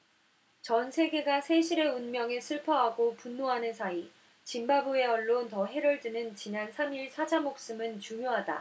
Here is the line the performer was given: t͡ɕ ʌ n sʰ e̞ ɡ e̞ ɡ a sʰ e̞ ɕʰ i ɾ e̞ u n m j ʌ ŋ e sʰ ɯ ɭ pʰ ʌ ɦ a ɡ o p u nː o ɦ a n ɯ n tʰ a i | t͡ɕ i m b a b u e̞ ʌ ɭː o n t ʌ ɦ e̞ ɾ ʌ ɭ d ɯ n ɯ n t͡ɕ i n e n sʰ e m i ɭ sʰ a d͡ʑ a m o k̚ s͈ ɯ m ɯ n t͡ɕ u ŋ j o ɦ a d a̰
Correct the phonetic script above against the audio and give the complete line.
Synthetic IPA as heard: t͡ɕ ʌ n sʰ e̞ ɡ e̞ ɡ a sʰ e̞ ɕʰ i ɾ e̞ u n m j ʌ ŋ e sʰ ɯ ɭ pʰ ʌ ɦ a ɡ o p u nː o ɦ a n ɯ n sʰ a i | t͡ɕ i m b a b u e̞ ʌ ɭː o n t ʌ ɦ e̞ ɾ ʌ ɭ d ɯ n ɯ n t͡ɕ i n a n sʰ a m i ɭ sʰ a d͡ʑ a m o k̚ s͈ ɯ m ɯ n t͡ɕ u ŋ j o ɦ a d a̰